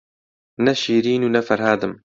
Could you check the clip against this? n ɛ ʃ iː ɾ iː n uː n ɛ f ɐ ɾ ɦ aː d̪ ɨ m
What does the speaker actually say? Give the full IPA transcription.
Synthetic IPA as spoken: n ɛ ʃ iː ɾ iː n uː n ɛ f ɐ ɾ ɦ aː d̪ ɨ m